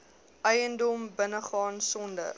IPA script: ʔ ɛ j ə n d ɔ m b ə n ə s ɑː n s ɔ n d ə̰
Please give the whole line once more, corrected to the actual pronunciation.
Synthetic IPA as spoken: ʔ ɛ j ə n d ɔ m b ə n ə χ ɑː n s ɔ n d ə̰